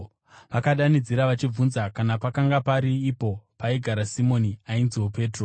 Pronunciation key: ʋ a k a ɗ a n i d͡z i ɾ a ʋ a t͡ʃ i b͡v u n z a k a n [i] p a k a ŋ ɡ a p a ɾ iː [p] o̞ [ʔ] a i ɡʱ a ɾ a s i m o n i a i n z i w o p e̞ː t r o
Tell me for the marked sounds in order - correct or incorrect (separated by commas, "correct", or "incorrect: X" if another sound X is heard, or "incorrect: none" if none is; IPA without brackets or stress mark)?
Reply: incorrect: a, correct, incorrect: p